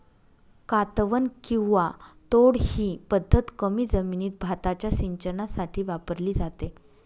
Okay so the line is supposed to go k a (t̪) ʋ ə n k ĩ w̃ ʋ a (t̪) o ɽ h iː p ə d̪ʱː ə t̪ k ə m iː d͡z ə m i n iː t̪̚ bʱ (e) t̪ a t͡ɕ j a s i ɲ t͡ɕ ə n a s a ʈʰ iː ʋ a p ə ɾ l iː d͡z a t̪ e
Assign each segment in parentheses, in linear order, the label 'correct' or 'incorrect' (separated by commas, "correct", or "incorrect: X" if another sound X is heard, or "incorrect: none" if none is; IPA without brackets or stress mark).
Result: correct, correct, incorrect: a